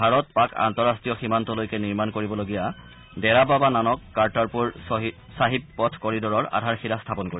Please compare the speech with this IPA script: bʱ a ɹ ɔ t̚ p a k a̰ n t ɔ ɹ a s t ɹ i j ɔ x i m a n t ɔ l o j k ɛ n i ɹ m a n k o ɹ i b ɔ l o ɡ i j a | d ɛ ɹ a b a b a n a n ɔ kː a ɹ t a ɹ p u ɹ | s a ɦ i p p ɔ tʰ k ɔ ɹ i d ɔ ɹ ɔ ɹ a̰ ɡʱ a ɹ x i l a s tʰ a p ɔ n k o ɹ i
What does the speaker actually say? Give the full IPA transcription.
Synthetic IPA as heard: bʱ a ɹ ɔ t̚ p a k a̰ n t ɔ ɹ a s t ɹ i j ɔ x i m a n t ɔ l o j k ɛ n i ɹ m a n k o ɹ i b ɔ l o ɡ i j a | d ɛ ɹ a b a b a n a n ɔ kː a ɹ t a ɹ p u ɹ | s a ɦ i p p ɔ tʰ k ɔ ɹ i d ɔ ɹ ɔ ɹ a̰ dʱ a ɹ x i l a s tʰ a p ɔ n k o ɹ i